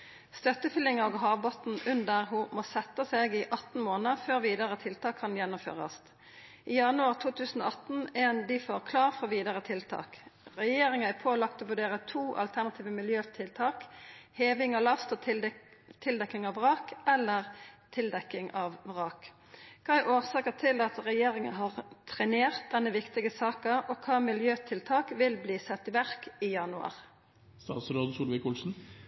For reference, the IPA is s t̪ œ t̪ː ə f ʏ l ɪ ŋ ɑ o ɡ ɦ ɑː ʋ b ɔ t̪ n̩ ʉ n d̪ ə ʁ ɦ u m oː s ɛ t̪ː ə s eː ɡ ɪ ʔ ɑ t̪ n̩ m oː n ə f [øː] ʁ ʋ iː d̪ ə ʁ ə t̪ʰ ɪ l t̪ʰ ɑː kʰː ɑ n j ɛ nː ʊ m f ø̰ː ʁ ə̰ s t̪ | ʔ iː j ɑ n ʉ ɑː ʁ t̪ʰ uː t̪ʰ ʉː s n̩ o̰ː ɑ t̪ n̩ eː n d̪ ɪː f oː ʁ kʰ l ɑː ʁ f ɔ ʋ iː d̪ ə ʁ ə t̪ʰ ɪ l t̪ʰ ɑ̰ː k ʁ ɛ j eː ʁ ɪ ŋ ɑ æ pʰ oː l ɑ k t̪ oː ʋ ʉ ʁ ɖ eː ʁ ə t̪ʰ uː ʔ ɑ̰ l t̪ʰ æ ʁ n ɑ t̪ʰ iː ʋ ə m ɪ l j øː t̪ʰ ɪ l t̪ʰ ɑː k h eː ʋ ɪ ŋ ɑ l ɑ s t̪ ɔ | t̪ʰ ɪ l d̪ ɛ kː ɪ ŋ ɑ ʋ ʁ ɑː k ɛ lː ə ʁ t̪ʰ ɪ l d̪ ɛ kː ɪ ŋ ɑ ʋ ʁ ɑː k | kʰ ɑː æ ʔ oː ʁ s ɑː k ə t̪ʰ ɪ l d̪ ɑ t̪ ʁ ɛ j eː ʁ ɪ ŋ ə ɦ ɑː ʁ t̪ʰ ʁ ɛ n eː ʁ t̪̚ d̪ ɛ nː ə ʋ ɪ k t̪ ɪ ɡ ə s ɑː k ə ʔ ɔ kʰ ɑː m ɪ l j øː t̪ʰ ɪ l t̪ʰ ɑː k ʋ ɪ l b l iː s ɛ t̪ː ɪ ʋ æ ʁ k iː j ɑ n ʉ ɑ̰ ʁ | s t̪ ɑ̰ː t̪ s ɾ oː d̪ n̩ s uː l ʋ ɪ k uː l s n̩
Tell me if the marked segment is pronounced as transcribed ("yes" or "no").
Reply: yes